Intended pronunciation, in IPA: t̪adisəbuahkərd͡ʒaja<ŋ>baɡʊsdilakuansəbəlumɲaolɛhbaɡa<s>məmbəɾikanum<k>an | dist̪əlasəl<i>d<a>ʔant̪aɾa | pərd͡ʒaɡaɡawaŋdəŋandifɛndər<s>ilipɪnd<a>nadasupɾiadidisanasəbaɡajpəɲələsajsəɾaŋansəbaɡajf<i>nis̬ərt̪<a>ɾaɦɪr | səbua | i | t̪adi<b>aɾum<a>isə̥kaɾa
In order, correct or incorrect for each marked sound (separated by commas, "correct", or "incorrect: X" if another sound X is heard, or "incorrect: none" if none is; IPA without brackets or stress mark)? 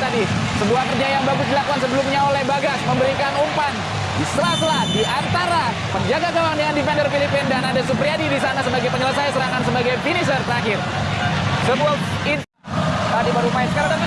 correct, correct, incorrect: p, incorrect: a, incorrect: i, incorrect: f, correct, correct, incorrect: ə, correct, correct